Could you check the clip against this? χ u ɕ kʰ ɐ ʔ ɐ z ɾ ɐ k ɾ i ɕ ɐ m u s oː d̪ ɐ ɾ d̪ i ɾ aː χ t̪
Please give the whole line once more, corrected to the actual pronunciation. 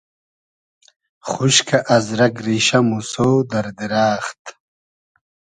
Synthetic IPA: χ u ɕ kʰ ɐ ʔ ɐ z ɾ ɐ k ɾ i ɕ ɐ m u s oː d̪ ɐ ɾ d̪ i ɾ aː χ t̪